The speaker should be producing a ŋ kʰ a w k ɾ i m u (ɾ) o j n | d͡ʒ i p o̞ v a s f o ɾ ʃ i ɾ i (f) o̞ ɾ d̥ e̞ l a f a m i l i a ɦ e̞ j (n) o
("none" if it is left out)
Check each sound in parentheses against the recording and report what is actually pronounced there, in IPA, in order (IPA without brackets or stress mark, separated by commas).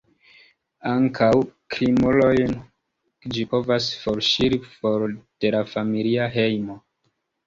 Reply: l, f, m